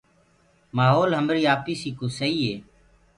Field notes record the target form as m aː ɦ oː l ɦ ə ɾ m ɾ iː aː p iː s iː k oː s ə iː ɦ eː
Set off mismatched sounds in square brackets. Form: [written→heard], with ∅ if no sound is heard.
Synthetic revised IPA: m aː ɦ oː l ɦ ə [ɾ→∅] m ɾ iː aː p iː s iː k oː s ə iː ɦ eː